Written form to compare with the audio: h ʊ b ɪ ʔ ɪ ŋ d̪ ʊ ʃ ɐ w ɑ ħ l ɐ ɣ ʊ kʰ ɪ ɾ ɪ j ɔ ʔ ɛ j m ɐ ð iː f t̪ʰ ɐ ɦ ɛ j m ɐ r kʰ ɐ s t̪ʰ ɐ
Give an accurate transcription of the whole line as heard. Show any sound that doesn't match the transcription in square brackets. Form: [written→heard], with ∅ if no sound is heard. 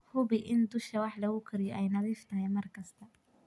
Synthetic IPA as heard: h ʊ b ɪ ʔ ɪ [ŋ→n] d̪ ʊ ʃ ɐ w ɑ ħ l ɐ ɣ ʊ kʰ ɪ ɾ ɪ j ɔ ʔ ɛ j [m→n] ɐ ð iː f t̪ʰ ɐ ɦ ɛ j m ɐ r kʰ ɐ s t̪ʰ ɐ